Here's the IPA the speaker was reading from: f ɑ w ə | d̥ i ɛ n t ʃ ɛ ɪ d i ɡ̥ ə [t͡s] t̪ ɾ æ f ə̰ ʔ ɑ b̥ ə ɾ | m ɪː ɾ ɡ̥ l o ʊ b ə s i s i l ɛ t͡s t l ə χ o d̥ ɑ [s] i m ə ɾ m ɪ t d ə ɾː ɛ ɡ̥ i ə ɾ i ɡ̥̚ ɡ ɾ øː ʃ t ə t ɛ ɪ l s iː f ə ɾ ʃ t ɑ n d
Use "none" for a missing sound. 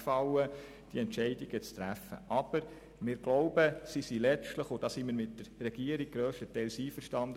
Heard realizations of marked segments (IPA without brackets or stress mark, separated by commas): t͡s, s